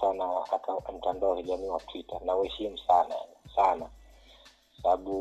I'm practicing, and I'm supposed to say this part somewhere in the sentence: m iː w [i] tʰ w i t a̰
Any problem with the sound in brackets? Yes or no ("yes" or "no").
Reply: yes